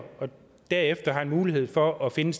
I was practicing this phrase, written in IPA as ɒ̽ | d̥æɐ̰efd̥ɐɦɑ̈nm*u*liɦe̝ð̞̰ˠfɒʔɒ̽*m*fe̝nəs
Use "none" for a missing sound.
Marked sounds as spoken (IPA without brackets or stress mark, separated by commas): uː, none